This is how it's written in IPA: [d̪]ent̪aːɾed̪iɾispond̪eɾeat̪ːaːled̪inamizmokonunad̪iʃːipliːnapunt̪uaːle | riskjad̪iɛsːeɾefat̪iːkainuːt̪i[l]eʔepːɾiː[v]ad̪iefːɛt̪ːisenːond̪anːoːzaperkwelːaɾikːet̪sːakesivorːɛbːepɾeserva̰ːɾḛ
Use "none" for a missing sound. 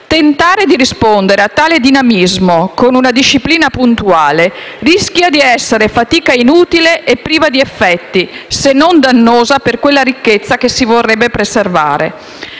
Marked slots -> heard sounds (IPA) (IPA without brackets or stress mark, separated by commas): t̪, l, v